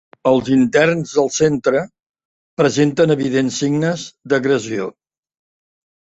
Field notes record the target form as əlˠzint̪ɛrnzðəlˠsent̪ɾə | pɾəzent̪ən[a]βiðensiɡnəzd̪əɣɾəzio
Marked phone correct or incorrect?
incorrect